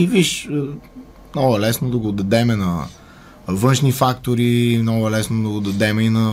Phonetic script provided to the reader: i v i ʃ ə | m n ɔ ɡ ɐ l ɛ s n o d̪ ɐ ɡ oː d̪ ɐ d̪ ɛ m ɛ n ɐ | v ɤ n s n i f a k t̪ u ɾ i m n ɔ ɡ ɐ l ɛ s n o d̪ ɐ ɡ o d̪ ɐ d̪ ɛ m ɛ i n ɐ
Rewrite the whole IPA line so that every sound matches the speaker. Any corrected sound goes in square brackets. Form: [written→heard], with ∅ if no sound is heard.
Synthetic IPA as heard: i v i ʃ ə | m n ɔ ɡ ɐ l ɛ s n o d̪ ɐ ɡ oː d̪ ɐ d̪ ɛ m ɛ n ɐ | v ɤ n [s→ʃ] n i f a k t̪ [u→o] ɾ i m n ɔ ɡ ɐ l ɛ s n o d̪ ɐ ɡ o d̪ ɐ d̪ ɛ m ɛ i n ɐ